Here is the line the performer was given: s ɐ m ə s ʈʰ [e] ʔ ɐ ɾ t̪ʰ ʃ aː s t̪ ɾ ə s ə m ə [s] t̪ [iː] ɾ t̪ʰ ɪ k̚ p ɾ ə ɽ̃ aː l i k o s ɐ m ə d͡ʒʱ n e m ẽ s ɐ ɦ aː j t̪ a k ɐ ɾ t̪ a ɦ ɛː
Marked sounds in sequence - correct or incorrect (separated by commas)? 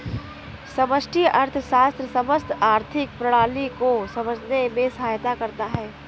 incorrect, correct, incorrect